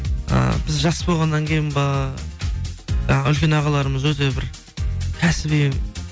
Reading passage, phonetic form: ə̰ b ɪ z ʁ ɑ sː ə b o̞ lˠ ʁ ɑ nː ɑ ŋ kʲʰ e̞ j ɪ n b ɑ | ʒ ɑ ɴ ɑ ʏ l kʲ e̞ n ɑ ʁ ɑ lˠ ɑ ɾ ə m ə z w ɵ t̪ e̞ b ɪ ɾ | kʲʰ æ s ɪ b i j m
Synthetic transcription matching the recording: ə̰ b ɪ z ʒ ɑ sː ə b o̞ lˠ ʁ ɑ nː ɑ ŋ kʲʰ e̞ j ɪ n b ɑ | ʒ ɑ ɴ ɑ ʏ l kʲ e̞ n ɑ ʁ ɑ lˠ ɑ ɾ ə m ə z w ɵ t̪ e̞ b ɪ ɾ | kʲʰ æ s ɪ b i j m